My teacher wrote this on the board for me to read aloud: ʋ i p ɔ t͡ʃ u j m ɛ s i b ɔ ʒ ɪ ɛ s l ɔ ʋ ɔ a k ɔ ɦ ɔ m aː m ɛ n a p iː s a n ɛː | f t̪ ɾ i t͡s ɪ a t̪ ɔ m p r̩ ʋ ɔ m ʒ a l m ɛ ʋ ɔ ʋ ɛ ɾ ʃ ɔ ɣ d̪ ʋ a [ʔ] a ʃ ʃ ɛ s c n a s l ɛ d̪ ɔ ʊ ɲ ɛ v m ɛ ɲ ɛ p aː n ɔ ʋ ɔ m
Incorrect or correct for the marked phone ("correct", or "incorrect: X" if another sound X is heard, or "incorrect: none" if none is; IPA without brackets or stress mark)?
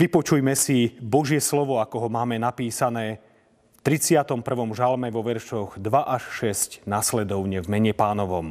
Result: correct